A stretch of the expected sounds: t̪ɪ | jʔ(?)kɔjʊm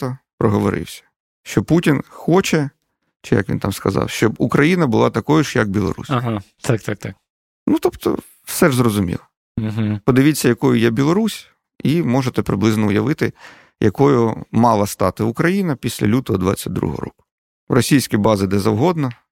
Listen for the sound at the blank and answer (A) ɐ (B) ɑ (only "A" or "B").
A